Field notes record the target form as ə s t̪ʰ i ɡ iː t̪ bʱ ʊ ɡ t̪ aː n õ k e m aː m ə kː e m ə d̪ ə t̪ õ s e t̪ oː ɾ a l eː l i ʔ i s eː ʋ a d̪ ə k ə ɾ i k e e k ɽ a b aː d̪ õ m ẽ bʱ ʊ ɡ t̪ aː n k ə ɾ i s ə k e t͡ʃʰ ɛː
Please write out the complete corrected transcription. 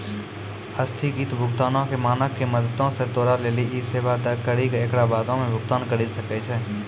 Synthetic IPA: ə s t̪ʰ i ɡ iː t̪ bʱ ʊ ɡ t̪ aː n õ k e m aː n ə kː e m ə d̪ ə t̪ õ s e t̪ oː ɾ a l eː l i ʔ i s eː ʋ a d̪ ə k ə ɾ i k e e k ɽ a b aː d̪ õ m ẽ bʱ ʊ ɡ t̪ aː n k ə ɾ i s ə k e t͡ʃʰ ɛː

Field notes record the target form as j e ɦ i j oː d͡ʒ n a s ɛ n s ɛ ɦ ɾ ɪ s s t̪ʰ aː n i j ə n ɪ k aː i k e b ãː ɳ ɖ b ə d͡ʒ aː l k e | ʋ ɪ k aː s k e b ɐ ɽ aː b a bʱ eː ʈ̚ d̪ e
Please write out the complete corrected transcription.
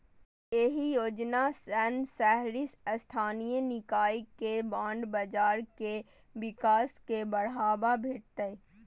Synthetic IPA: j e ɦ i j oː d͡ʒ n a s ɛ n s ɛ ɦ ɾ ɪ s s t̪ʰ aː n i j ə n ɪ k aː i k e b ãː ɳ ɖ b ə d͡ʒ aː ɾ k e | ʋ ɪ k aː s k e b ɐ ɽ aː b a bʱ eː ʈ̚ t̪ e

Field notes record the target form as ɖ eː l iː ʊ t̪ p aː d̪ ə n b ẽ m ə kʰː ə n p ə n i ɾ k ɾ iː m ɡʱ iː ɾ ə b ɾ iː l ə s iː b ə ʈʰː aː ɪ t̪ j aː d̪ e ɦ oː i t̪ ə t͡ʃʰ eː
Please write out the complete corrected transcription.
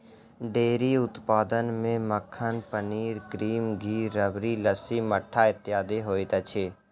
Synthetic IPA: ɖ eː ɾ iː ʊ t̪ p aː d̪ ə n m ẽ m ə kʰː ə n p ə n iː ɾ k ɾ iː m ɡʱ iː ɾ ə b ɾ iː l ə s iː m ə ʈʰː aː ɪ t̪ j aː d̪ e ɦ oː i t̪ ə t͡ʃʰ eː

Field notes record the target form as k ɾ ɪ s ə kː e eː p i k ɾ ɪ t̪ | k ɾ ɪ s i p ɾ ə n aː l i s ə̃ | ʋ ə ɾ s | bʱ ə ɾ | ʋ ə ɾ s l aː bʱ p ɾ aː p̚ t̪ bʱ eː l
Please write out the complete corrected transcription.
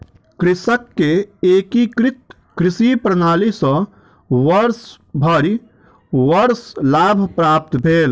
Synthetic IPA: k ɾ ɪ s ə kː e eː k i k ɾ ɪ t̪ | k ɾ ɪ s i p ɾ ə n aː l i s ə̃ | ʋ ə ɾ s | bʱ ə ɾ | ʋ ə ɾ s l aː bʱ p ɾ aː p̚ t̪ bʱ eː l

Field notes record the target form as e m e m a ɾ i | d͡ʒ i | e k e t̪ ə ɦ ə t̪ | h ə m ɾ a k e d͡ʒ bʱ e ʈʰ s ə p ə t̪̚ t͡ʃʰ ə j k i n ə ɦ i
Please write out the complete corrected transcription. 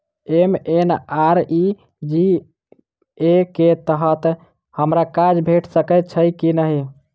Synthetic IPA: e m e n a ɾ i | d͡ʒ i | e k e t̪ ə ɦ ə t̪ | h ə m ɾ a k a d͡ʒ bʱ e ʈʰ s ə k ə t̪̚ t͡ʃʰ ə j k i n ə ɦ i

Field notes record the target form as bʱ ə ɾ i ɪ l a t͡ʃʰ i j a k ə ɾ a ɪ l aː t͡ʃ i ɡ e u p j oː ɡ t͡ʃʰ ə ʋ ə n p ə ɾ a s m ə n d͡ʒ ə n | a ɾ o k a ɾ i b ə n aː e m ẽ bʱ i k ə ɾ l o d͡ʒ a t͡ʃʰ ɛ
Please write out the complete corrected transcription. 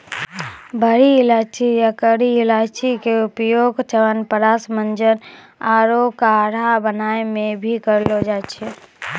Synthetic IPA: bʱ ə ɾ i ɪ l a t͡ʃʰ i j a k ə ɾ i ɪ l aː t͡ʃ i k e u p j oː ɡ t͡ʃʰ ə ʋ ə n p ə ɾ a s m ə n d͡ʒ ə n | a ɾ o k a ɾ a b ə n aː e m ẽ bʱ i k ə ɾ l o d͡ʒ a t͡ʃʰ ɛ

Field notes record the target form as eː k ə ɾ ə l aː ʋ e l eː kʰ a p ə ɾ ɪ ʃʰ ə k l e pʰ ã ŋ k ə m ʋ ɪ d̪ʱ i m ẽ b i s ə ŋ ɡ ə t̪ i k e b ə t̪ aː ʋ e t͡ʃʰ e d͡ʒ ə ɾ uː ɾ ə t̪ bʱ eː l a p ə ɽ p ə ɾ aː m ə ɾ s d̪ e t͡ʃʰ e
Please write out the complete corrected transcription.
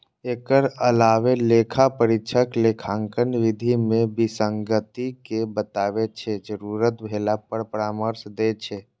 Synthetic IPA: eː k ə ɾ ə l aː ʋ e l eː kʰ a p ə ɾ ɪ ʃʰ ə k l e kʰ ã ŋ k ə n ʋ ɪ d̪ʱ i m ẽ b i s ə ŋ ɡ ə t̪ i k e b ə t̪ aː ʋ e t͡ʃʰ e d͡ʒ ə ɾ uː ɾ ə t̪ bʱ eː l a p ə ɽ p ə ɾ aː m ə ɾ s d̪ e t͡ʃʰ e

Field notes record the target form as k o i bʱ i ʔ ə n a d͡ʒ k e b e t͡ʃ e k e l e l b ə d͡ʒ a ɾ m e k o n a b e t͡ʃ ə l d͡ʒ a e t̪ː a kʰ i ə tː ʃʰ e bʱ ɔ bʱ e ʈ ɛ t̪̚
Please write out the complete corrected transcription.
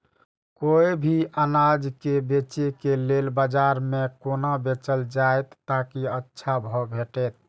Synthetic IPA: k o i bʱ i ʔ ə n a d͡ʒ k e b e t͡ʃ e k e l e l b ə d͡ʒ a ɾ m e k o n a b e t͡ʃ ə l d͡ʒ a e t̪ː a k i ə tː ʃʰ a bʱ ɔ bʱ e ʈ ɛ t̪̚

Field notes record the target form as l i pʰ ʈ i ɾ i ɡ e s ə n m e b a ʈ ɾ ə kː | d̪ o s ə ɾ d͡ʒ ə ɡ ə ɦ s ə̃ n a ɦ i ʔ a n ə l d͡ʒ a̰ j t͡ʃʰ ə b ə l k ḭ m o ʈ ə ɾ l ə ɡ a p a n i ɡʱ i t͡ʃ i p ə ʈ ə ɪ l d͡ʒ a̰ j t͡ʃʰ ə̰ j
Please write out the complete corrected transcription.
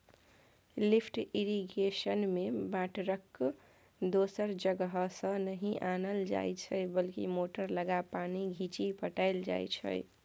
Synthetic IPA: l i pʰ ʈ i ɾ i ɡ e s ə n m e b a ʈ ɾ ə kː | d̪ o s ə ɾ d͡ʒ ə ɡ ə ɦ s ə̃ n ə ɦ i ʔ a n ə l d͡ʒ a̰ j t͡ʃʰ ə b ə l k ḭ m o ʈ ə ɾ l ə ɡ a p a n i ɡʱ i t͡ʃ i p ə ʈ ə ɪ l d͡ʒ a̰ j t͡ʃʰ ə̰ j

